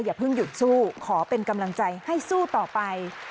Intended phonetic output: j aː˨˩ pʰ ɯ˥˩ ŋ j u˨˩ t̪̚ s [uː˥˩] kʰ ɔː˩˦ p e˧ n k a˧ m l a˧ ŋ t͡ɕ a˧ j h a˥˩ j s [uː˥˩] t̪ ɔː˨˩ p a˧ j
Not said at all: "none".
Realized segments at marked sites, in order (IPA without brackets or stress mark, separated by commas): uː˥˩, uː˥˩